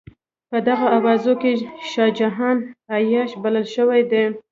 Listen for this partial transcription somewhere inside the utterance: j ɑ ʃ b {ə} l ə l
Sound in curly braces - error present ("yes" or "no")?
yes